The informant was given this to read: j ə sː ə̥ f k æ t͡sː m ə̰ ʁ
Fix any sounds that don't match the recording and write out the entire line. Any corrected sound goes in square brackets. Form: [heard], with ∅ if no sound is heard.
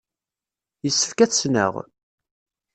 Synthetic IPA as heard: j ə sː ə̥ f k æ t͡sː [n] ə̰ ʁ